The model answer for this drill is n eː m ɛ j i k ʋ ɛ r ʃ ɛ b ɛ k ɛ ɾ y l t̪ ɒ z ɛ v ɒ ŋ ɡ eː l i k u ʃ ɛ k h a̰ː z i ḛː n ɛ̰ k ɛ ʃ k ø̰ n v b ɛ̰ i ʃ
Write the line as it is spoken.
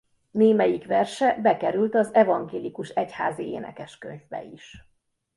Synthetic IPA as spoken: n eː m ɛ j i k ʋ ɛ r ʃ ɛ b ɛ k ɛ ɾ y l t̪ ɒ z ɛ v ɒ ŋ ɡ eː l i k u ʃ ɛ c h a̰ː z i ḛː n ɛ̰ k ɛ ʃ k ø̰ ɲ v b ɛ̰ i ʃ